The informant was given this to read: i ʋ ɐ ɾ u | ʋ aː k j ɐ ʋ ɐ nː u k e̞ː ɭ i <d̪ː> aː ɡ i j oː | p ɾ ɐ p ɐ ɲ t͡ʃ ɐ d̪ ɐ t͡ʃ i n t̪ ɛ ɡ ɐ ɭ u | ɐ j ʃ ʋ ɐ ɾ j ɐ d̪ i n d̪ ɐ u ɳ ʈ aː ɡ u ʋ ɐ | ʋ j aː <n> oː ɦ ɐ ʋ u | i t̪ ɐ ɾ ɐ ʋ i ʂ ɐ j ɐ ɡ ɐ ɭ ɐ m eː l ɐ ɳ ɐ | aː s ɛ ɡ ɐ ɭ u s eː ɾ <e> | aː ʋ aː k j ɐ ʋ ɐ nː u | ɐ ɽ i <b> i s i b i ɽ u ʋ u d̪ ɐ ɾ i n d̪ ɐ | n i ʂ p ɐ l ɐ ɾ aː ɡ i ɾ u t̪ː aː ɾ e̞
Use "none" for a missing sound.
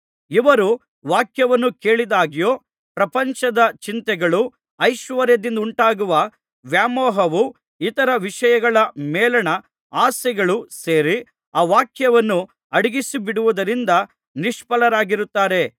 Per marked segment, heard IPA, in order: d̪, m, i, ɡ

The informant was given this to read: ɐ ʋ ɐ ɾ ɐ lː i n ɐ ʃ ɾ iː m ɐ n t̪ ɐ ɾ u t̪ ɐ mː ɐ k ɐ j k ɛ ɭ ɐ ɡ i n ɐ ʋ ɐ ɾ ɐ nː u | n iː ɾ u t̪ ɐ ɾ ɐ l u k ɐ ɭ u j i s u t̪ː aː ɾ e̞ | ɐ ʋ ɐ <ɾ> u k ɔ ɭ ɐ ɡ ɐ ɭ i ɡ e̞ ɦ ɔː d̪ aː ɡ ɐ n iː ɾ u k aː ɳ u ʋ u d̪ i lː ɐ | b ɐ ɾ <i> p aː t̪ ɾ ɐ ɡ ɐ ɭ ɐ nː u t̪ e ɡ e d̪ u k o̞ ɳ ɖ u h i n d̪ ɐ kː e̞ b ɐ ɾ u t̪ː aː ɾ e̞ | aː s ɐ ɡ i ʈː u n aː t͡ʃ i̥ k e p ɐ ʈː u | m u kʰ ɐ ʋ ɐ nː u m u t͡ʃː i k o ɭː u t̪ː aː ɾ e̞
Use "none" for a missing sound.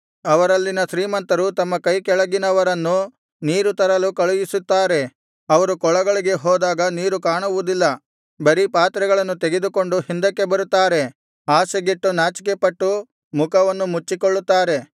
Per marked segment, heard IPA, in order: ɾ, i

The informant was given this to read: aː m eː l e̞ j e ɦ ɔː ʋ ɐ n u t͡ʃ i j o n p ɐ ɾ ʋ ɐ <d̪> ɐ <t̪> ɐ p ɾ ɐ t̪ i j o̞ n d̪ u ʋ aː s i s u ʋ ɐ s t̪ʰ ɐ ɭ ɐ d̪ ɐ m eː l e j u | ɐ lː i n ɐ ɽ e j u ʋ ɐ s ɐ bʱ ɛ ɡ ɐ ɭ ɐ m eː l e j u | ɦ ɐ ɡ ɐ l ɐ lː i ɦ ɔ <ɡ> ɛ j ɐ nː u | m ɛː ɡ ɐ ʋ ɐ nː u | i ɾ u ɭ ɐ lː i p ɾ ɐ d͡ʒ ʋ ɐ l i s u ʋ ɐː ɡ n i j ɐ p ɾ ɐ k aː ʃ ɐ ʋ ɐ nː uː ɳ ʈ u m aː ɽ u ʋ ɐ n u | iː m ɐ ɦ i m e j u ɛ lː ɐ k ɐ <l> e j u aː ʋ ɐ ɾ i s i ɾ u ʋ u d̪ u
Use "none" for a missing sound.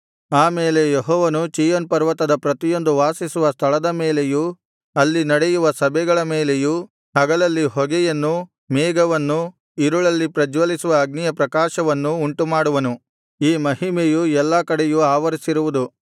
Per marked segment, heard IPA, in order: t̪, d̪, ɡ, ɽ

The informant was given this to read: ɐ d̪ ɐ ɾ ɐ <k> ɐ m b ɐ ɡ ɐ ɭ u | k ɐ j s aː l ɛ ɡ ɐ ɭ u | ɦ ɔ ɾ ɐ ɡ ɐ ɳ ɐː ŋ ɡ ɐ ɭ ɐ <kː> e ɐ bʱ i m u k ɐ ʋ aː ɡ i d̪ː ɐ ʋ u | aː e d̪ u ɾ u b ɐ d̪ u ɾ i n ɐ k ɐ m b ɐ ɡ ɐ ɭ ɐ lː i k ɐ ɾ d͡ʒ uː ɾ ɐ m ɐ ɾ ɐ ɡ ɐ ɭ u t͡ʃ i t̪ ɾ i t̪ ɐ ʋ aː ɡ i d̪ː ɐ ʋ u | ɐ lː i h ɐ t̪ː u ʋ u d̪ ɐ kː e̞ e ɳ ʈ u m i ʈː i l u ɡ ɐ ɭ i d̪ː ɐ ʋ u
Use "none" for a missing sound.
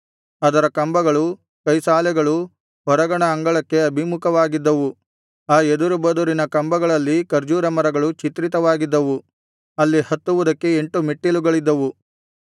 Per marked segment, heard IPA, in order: k, kː

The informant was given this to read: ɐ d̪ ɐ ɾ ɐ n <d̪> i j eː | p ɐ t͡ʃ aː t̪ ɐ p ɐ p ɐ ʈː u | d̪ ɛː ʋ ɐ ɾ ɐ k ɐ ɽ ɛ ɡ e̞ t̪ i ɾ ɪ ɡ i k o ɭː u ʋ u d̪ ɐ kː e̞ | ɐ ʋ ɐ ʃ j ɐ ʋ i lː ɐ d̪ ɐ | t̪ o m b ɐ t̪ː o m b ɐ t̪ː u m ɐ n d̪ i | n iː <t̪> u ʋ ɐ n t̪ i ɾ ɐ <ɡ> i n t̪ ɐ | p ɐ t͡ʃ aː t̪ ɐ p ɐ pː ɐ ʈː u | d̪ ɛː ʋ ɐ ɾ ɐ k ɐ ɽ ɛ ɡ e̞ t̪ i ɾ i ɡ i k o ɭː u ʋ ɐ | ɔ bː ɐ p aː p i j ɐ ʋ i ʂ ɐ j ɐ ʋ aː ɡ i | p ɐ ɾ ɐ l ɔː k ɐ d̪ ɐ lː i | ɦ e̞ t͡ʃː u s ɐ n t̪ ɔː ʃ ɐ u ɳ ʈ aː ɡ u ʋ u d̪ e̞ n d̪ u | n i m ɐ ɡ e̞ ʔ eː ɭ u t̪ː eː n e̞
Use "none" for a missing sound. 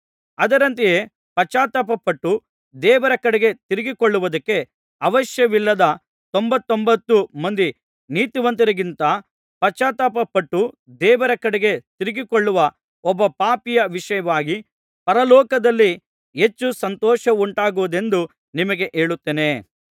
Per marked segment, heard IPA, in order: t̪, t̪, ɡ

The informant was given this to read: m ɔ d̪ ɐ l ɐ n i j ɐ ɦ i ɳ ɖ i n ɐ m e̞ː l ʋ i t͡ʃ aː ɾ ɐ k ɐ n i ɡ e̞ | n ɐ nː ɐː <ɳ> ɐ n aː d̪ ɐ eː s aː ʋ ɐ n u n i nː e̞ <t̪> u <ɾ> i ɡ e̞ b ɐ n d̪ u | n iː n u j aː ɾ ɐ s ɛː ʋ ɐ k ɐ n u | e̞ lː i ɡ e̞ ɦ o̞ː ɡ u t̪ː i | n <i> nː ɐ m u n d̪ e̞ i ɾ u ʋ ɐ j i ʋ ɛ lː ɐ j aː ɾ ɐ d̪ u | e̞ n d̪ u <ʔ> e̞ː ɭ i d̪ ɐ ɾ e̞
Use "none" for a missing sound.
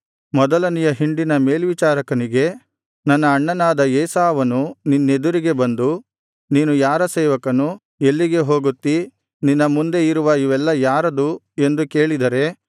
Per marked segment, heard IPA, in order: ɳː, d̪, ɾ, i, k

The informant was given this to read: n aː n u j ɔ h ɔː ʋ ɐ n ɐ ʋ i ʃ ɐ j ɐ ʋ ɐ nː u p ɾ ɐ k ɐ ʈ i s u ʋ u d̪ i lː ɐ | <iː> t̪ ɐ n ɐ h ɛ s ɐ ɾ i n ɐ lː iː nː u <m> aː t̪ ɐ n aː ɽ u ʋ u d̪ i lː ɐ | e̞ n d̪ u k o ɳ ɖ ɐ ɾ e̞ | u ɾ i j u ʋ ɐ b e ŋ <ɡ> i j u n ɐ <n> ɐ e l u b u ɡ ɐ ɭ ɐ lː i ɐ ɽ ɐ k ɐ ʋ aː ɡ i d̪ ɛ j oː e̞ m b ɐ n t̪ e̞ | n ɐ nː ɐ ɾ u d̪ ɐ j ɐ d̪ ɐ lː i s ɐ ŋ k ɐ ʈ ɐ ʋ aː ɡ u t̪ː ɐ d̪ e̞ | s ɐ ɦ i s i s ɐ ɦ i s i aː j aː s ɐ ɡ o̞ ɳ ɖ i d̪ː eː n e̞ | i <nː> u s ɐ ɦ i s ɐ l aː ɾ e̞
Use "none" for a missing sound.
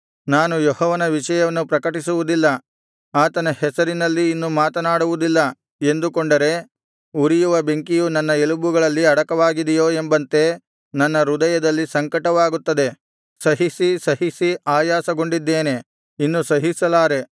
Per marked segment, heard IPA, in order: aː, m, k, nː, nː

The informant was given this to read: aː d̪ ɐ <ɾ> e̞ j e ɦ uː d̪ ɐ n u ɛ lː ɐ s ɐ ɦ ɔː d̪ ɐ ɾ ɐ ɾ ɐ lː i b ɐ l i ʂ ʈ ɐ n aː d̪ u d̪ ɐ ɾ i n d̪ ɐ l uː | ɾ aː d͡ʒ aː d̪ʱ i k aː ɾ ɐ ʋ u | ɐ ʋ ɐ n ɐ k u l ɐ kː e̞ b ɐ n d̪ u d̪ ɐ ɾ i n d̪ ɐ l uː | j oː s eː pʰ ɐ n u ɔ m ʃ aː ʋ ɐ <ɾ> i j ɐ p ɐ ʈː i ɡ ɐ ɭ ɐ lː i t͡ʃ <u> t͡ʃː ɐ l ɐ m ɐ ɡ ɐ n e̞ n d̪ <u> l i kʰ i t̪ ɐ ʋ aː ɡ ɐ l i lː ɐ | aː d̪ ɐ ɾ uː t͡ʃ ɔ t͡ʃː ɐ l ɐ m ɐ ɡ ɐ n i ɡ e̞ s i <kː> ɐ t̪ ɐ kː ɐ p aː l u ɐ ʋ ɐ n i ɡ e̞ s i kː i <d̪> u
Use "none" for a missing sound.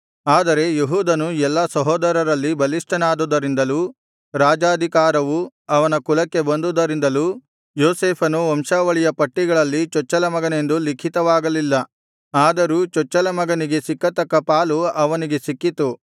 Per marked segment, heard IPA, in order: ɾ, ɭ, ɔ, u, kː, t̪

